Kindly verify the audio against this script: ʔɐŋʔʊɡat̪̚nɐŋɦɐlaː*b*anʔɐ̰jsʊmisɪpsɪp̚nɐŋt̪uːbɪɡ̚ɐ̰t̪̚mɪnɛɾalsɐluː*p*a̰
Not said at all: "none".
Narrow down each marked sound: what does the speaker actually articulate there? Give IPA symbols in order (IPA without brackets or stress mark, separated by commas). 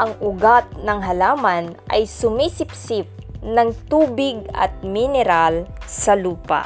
m, p